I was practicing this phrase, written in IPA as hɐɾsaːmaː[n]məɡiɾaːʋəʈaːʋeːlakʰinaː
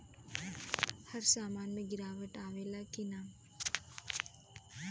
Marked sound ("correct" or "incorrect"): correct